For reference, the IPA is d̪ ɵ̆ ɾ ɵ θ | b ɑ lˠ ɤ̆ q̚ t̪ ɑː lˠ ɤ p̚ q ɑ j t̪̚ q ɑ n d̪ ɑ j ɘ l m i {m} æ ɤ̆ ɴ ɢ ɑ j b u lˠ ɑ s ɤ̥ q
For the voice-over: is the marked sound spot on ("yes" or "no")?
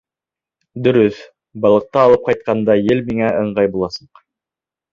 no